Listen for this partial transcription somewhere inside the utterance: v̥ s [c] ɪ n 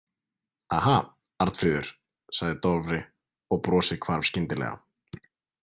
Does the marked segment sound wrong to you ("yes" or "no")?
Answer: no